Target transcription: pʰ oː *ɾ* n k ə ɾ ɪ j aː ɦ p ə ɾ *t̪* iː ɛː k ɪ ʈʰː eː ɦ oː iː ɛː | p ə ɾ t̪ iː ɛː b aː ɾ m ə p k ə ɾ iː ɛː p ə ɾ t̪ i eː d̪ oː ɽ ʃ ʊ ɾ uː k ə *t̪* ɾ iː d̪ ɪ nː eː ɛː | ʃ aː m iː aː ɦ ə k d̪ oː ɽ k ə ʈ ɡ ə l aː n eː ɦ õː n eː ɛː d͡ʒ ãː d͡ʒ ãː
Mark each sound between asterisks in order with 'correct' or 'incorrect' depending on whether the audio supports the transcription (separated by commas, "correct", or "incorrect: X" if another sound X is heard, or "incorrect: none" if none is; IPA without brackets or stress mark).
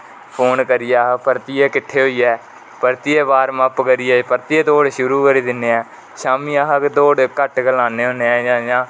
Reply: incorrect: none, correct, incorrect: none